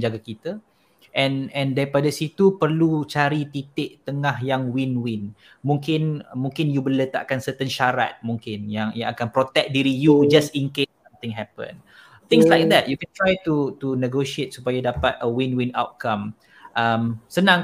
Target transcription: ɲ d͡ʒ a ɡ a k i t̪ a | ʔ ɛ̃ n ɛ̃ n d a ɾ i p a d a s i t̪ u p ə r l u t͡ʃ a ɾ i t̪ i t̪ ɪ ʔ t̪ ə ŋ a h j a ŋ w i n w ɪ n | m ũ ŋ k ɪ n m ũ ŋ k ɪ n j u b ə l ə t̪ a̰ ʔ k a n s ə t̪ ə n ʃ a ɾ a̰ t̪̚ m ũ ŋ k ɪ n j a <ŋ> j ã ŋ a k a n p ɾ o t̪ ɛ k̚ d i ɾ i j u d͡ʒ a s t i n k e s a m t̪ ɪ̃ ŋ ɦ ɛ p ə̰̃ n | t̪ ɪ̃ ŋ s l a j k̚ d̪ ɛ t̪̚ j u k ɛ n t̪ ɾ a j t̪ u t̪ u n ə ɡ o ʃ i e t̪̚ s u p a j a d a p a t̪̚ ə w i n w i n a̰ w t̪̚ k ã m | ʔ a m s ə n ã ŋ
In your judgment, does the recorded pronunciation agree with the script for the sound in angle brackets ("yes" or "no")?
yes